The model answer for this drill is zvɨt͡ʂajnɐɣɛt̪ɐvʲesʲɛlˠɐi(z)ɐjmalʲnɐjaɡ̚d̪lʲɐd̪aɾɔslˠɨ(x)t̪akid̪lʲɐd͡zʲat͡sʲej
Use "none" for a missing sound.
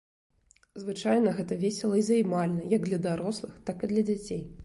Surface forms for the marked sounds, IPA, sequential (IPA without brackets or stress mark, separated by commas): z, x